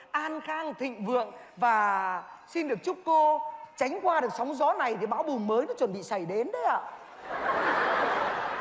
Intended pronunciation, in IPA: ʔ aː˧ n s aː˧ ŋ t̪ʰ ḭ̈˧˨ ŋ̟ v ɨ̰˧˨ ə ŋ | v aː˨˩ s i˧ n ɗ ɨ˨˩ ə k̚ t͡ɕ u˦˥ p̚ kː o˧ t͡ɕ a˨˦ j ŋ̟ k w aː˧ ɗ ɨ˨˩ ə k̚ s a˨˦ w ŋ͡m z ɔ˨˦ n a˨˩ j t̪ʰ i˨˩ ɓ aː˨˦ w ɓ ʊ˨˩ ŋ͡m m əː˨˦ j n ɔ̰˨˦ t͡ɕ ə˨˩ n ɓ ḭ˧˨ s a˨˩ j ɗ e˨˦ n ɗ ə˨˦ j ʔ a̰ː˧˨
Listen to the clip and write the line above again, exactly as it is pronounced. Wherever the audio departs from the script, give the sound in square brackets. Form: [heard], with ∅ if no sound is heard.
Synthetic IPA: ʔ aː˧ n [x] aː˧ ŋ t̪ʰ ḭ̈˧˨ ŋ̟ v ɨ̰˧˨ ə ŋ | v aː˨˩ s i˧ n ɗ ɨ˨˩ ə k̚ t͡ɕ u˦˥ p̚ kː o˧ t͡ɕ a˨˦ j ŋ̟ k w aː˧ ɗ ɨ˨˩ ə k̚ s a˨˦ w ŋ͡m z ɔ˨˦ n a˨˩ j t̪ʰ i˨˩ ɓ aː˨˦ w ɓ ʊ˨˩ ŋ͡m m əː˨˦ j n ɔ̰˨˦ t͡ɕ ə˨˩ n ɓ ḭ˧˨ s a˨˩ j ɗ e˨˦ n ɗ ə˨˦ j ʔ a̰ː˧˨